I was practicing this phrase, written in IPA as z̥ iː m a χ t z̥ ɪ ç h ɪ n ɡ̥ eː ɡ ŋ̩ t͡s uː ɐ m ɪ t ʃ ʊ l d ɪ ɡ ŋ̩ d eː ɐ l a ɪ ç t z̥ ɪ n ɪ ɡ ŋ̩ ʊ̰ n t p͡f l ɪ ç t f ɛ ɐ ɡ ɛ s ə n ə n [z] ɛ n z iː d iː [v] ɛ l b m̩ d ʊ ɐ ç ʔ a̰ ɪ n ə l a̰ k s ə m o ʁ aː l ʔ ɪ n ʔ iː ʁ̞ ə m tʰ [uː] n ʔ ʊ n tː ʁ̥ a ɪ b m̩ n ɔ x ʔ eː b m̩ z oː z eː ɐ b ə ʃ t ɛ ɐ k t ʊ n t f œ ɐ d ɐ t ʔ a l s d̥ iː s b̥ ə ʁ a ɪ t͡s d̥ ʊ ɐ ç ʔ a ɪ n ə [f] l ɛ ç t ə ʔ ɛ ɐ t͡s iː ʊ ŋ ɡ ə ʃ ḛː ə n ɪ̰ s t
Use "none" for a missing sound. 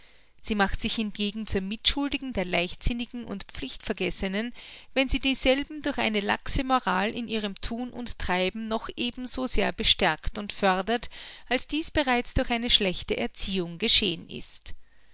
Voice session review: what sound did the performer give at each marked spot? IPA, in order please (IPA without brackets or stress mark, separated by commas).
v, z, uː, ʃ